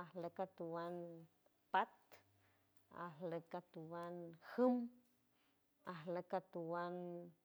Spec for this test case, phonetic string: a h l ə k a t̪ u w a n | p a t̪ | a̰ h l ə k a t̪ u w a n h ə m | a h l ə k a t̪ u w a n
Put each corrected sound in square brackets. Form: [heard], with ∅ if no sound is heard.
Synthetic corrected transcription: a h l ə k a t̪ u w a n | p a t̪ | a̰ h l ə k a t̪ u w a n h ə m | a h l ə k a t̪ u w a n